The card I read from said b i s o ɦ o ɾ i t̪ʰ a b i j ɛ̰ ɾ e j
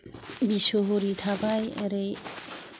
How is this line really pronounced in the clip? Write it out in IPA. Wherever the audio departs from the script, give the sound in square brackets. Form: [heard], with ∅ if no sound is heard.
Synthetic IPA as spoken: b i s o ɦ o ɾ i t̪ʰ a b [a] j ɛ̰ ɾ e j